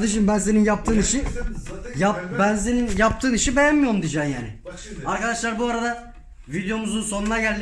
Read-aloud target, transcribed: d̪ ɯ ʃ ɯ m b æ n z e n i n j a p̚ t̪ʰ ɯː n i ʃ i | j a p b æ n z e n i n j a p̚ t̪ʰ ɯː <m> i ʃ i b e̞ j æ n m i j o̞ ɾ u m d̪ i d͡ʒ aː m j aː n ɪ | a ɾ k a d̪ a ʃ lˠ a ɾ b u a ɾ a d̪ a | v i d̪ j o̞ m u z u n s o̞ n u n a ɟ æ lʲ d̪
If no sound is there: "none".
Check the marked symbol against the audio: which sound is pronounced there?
n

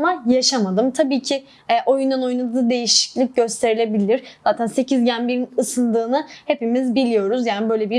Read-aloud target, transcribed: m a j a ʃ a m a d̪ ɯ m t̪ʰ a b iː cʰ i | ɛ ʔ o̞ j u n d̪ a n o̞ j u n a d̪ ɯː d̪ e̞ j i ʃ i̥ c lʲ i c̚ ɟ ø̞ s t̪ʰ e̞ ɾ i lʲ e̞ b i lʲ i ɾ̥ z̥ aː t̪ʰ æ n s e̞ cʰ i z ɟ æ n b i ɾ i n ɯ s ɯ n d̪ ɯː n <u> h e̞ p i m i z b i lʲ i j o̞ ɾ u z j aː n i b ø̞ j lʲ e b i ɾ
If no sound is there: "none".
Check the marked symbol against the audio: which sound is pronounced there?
ɯ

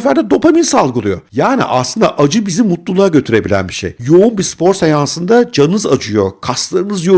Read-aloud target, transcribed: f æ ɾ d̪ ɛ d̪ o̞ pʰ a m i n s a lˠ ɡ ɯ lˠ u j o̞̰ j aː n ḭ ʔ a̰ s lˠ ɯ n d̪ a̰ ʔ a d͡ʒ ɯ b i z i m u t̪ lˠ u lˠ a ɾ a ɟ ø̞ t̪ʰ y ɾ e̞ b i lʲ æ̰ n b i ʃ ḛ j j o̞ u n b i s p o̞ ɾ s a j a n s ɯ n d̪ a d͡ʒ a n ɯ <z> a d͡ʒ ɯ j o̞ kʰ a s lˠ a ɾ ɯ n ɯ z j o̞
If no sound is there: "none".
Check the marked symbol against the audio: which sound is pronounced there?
z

